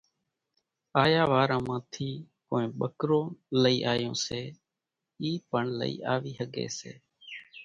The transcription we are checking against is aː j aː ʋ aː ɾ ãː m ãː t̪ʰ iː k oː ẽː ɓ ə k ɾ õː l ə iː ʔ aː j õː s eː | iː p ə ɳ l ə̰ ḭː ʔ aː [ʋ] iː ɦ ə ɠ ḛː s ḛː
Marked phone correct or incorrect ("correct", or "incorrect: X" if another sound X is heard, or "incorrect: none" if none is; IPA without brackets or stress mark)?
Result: correct